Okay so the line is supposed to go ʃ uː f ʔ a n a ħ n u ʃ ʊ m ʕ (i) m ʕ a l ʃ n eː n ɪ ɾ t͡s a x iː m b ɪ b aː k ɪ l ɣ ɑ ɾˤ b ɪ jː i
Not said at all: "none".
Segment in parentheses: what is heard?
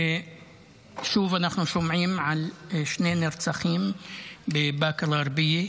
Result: iː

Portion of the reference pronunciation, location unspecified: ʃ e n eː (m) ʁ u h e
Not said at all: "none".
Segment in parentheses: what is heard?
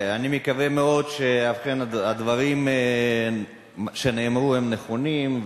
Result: m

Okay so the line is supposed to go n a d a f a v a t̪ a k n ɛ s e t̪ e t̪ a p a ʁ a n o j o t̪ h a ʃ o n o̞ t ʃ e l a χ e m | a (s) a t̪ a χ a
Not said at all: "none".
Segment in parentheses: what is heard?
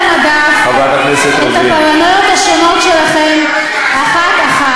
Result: χ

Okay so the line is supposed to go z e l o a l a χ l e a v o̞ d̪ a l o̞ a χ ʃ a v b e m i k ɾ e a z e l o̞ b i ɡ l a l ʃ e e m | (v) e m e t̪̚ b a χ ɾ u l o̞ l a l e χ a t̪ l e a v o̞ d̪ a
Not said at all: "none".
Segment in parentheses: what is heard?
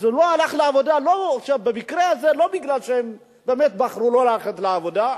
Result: b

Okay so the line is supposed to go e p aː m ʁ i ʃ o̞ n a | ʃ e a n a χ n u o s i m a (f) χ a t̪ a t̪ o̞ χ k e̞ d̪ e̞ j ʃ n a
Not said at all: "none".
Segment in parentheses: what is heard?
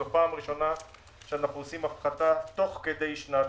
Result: f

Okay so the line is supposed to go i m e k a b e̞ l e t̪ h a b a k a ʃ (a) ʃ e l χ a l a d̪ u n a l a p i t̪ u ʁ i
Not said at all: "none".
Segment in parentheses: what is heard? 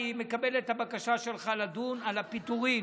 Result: a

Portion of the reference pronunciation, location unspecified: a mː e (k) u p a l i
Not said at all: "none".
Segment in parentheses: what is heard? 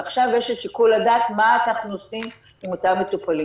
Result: t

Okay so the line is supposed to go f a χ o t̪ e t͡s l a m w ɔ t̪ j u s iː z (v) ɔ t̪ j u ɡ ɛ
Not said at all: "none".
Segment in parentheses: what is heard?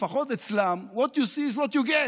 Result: w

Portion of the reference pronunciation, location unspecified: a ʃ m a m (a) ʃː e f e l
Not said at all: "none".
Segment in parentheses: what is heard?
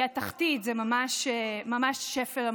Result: a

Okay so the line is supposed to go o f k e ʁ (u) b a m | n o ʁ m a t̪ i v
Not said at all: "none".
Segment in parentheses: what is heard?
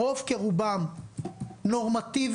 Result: u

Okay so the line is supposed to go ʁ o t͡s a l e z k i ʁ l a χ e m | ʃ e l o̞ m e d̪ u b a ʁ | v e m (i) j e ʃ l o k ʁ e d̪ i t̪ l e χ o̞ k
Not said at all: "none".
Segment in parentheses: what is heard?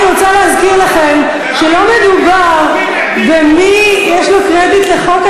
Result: i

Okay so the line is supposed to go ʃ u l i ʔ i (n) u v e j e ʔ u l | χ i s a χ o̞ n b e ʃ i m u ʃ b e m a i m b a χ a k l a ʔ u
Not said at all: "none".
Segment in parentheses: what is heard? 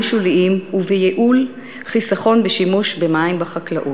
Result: m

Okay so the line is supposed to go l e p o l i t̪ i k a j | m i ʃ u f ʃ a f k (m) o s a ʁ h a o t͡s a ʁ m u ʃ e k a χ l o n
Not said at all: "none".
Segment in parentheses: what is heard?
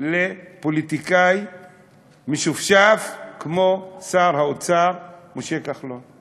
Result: m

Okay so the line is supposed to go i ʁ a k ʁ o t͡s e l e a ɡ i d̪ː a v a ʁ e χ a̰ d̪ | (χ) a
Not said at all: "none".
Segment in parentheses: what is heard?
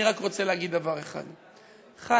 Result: χ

